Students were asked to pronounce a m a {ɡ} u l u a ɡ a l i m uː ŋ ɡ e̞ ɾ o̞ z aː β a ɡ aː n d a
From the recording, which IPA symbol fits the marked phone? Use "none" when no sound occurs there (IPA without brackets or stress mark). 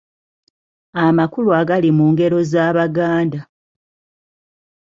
k